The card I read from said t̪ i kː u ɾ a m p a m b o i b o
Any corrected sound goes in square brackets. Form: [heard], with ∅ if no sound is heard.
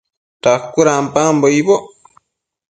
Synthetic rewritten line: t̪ [a] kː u ɾ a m p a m b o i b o